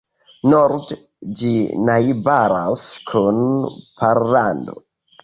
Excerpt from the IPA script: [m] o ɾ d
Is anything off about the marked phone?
yes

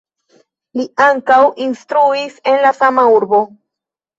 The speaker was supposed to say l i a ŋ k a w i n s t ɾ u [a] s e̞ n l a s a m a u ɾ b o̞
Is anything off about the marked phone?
yes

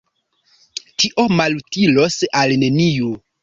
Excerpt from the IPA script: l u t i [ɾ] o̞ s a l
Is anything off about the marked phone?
yes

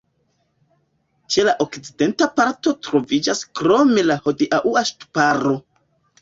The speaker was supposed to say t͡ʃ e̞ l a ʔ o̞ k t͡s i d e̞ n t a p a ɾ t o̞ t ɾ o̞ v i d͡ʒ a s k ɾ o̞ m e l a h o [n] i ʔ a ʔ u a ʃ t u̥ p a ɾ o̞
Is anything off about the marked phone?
yes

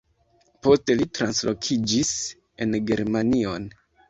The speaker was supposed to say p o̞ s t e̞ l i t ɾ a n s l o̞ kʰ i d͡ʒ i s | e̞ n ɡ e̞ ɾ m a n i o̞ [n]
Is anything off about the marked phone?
no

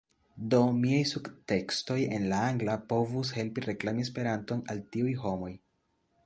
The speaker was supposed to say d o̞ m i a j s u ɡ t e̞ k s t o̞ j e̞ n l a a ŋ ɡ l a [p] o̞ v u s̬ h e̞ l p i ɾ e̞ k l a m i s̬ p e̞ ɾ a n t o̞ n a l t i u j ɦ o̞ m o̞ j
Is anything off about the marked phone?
no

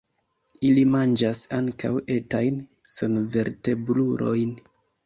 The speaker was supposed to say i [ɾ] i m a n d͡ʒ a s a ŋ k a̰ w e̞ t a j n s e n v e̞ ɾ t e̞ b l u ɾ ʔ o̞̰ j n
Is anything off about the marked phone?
yes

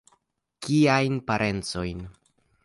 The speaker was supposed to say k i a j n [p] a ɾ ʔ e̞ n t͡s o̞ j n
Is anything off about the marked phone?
no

